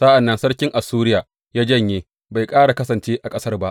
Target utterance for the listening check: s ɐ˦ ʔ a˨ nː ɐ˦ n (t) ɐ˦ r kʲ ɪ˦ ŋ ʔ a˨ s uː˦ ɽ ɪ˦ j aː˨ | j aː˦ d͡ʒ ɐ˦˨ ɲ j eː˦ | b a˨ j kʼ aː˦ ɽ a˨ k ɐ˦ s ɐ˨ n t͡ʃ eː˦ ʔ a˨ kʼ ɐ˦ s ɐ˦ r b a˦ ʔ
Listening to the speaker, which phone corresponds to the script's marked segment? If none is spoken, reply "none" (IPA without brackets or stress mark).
s